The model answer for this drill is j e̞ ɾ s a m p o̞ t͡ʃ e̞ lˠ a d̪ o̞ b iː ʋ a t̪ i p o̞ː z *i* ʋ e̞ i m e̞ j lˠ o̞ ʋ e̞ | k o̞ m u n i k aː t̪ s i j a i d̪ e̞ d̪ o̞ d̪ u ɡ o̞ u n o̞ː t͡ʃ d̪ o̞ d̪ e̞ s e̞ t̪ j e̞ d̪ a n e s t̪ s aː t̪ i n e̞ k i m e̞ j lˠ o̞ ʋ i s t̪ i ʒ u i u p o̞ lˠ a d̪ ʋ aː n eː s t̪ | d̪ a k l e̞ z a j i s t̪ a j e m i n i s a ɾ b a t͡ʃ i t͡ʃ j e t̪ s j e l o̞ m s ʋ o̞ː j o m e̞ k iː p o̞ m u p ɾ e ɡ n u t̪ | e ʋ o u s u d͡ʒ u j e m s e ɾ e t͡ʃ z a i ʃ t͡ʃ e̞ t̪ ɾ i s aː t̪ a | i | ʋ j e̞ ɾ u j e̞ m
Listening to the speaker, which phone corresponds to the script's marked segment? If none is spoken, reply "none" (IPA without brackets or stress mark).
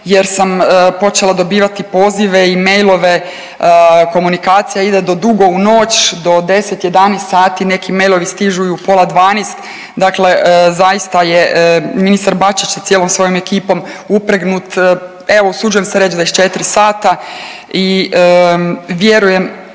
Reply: i